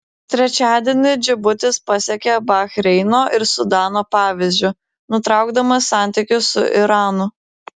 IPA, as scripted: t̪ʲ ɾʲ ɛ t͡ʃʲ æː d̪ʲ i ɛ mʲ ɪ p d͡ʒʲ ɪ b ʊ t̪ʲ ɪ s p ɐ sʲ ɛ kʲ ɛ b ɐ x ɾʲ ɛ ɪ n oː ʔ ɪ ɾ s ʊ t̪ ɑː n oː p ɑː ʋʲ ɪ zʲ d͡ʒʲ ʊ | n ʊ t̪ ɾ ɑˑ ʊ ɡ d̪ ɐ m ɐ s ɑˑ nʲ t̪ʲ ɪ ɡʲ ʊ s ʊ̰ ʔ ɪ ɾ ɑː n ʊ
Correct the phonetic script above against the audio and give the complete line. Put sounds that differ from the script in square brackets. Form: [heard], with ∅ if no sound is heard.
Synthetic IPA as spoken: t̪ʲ ɾʲ ɛ t͡ʃʲ æː d̪ʲ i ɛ [nʲ] ɪ [∅] d͡ʒʲ ɪ b ʊ t̪ʲ ɪ s p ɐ sʲ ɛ kʲ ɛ b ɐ x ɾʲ ɛ ɪ n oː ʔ ɪ ɾ s ʊ [d̪] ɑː n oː p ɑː ʋʲ ɪ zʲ d͡ʒʲ ʊ | n ʊ t̪ ɾ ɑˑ ʊ ɡ d̪ ɐ m ɐ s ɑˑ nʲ t̪ʲ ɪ [kʲ] ʊ s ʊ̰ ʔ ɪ ɾ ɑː n ʊ